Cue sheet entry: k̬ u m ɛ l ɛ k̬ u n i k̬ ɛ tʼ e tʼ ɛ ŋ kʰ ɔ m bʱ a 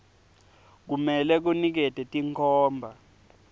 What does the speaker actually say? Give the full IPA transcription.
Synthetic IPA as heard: k̬ u m ɛ l ɛ k̬ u n i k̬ ɛ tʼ ɛ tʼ i ŋ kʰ ɔː m bʱ a